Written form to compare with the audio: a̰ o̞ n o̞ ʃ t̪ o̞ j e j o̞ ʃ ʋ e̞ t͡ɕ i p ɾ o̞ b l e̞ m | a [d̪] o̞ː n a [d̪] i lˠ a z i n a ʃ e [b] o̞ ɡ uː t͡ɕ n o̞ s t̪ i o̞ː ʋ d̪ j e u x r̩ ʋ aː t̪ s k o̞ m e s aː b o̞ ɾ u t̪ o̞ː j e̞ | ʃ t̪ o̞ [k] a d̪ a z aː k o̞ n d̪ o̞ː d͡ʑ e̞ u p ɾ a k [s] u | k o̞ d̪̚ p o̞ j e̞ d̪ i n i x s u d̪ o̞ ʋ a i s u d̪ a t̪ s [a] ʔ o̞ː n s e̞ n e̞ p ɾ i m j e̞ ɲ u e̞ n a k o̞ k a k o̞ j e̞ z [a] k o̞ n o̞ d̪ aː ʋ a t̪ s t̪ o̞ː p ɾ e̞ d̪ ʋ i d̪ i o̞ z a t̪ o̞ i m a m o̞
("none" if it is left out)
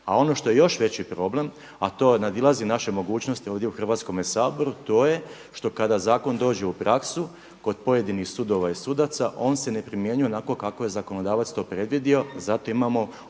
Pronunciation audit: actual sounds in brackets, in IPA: t̪, d̪, m, k, s, a, a

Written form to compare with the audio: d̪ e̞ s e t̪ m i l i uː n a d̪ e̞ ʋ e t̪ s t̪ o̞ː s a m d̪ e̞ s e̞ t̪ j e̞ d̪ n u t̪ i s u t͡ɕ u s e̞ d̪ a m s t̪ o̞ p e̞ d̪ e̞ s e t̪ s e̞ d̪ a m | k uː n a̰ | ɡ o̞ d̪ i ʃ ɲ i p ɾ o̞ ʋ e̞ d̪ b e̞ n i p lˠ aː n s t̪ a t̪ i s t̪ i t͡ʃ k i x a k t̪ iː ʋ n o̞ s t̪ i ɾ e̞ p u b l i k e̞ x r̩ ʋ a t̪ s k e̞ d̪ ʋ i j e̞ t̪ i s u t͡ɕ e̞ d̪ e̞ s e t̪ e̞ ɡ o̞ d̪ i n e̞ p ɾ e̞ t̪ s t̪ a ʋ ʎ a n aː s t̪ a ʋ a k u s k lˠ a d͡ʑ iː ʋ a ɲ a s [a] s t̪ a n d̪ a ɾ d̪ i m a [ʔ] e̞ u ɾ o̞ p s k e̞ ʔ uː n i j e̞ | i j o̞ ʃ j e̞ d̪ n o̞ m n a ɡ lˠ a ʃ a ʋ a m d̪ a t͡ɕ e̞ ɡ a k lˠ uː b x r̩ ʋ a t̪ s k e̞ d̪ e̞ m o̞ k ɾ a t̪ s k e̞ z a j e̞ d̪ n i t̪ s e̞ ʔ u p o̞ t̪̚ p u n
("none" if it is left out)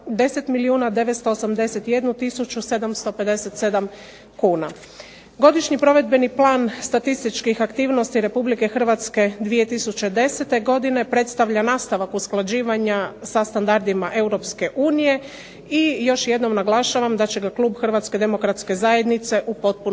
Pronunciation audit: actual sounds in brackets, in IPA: a, ʔ

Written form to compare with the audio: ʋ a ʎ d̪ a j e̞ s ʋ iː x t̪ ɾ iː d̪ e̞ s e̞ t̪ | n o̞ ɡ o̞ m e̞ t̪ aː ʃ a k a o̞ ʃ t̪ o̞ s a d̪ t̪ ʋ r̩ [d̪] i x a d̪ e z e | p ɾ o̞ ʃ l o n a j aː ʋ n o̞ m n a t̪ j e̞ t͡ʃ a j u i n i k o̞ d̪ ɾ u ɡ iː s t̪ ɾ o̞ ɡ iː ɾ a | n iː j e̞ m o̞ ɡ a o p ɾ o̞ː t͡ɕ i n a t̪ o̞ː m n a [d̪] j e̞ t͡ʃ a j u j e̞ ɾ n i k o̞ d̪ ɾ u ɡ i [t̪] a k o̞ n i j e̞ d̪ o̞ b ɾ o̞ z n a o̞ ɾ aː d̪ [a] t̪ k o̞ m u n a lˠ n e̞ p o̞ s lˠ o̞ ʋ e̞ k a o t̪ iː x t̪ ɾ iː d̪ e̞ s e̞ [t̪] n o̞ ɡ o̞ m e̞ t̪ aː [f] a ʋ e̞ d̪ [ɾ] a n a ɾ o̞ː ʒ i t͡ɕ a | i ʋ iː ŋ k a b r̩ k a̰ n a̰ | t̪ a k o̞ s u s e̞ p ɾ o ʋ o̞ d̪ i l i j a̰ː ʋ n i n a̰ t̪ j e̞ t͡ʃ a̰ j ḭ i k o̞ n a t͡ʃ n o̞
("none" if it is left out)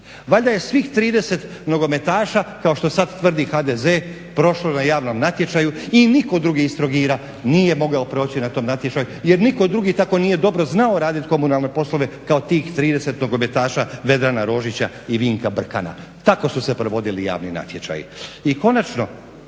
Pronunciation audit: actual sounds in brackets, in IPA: d̪, t̪, t̪, i, t̪, ʃ, ɾ

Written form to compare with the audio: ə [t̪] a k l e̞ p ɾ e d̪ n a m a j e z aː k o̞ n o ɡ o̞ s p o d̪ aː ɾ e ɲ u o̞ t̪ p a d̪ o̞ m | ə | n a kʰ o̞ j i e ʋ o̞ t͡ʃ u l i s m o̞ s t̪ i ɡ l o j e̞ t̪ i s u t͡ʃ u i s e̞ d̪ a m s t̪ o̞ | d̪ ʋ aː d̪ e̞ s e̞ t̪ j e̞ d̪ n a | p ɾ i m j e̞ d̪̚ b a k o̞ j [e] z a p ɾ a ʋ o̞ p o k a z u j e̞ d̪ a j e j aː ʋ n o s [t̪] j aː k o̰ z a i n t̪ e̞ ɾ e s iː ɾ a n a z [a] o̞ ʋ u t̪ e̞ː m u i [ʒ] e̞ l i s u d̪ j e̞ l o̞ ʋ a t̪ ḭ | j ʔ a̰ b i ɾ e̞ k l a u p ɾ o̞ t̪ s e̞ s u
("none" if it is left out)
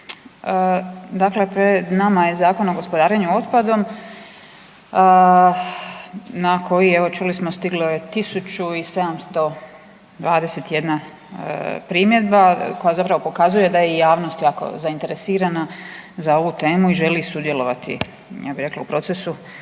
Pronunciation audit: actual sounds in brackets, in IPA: d̪, a, t̪, a, ʒ

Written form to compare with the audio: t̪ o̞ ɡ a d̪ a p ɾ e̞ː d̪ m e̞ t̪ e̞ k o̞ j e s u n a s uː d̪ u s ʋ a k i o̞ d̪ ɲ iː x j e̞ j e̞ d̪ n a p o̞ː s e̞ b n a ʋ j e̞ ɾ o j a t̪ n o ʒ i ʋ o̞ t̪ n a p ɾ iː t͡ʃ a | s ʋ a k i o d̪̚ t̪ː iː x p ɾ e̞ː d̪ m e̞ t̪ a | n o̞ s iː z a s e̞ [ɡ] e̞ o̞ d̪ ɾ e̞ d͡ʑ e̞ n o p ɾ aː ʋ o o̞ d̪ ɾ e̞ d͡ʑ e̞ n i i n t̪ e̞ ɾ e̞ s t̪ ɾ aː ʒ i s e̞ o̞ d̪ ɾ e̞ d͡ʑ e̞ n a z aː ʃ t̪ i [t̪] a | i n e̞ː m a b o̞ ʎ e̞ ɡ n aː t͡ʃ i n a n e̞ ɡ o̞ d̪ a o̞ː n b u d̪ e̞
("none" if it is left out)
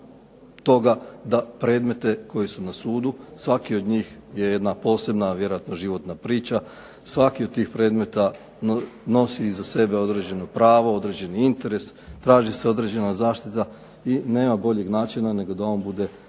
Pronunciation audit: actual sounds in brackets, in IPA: b, t̪

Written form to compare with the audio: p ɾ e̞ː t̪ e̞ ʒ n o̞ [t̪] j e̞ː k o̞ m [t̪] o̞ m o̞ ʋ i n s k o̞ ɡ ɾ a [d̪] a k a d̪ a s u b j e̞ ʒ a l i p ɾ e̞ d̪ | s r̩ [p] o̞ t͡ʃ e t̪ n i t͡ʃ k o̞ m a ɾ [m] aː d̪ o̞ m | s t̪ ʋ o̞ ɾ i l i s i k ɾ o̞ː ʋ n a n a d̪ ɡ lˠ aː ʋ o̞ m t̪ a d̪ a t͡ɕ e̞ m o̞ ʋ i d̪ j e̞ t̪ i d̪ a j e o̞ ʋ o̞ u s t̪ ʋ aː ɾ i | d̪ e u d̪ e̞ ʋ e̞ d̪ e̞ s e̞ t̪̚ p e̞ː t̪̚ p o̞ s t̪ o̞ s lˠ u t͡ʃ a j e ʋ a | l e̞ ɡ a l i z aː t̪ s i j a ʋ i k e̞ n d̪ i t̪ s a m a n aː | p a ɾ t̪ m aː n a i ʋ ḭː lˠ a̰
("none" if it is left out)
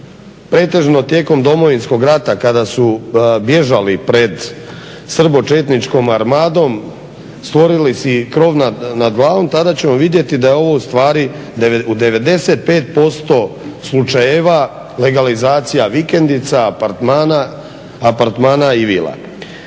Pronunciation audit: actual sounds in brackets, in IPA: t̪, d̪, t̪, b, m

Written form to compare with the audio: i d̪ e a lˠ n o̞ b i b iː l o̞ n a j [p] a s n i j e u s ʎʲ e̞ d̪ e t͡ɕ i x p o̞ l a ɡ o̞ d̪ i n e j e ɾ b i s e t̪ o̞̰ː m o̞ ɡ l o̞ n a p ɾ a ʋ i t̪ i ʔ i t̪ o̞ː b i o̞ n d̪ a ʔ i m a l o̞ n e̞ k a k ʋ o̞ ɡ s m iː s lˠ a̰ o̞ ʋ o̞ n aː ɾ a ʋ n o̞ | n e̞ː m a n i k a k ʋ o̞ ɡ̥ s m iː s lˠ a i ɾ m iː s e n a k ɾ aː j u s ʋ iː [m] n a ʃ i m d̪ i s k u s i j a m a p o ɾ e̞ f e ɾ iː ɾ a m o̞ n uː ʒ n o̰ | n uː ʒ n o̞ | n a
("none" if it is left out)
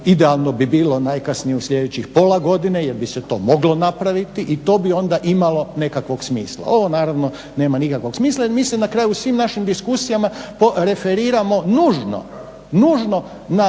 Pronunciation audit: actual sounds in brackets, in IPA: k, m

